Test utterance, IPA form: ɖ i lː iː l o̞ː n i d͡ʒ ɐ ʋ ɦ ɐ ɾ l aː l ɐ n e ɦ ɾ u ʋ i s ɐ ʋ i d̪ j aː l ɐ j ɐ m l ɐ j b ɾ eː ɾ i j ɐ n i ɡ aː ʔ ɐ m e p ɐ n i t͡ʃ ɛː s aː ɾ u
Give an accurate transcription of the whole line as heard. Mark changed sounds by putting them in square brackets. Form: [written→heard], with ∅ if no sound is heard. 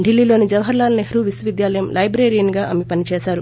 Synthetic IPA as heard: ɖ i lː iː l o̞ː n i d͡ʒ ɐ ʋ ɦ ɐ ɾ l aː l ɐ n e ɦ ɾ u ʋ i s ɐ ʋ i d̪ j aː l ɐ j ɐ m l ɐ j b ɾ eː ɾ i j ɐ n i ɡ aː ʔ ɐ m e p ɐ n i t͡ʃ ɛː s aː ɾ u